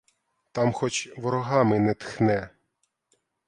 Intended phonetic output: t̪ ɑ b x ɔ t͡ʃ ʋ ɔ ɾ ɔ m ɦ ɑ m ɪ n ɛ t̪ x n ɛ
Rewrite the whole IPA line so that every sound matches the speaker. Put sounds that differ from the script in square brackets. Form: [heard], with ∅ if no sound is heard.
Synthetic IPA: t̪ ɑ [m] x ɔ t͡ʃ ʋ ɔ ɾ ɔ [∅] ɦ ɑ m ɪ n ɛ t̪ x n ɛ